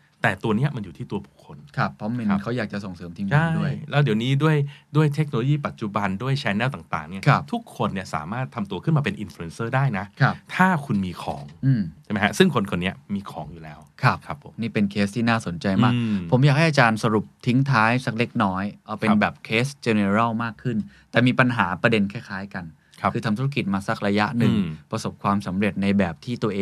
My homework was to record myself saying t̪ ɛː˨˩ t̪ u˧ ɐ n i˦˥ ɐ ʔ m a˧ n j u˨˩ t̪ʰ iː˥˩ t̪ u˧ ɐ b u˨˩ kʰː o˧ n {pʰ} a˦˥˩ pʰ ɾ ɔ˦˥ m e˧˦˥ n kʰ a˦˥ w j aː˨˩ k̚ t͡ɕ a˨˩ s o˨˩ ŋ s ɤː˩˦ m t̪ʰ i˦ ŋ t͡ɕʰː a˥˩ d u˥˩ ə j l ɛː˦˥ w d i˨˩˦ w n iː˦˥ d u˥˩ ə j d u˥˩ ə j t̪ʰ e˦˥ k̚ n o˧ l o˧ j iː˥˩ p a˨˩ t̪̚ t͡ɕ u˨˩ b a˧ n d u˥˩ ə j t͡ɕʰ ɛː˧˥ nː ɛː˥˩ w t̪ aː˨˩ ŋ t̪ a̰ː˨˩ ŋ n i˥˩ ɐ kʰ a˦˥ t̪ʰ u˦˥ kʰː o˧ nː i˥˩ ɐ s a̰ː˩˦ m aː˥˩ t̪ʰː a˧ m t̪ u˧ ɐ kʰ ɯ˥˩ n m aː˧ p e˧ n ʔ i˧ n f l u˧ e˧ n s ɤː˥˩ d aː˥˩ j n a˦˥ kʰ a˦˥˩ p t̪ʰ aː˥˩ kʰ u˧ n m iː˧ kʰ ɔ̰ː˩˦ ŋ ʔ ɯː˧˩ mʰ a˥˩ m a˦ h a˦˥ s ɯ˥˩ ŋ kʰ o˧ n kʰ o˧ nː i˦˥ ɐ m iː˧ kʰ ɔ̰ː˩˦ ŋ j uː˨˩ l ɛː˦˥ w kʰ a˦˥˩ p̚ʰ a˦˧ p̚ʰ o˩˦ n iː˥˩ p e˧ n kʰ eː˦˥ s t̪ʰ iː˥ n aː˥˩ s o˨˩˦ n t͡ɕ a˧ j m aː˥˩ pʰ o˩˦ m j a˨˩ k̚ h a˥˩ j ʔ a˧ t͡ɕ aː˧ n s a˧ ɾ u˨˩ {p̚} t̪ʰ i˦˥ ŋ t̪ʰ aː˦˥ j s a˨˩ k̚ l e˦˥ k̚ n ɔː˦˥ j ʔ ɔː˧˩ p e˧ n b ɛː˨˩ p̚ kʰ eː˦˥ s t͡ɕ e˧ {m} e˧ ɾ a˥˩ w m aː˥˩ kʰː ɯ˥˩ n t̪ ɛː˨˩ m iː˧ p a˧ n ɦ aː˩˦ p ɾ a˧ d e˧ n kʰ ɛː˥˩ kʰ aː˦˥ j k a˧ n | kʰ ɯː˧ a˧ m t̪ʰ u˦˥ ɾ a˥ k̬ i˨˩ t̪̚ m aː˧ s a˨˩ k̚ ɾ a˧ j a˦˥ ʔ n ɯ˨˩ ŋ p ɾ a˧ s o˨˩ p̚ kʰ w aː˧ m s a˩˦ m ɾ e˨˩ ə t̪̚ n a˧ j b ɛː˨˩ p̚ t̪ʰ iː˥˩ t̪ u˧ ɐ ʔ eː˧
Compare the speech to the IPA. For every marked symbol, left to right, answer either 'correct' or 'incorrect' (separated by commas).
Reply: incorrect, correct, incorrect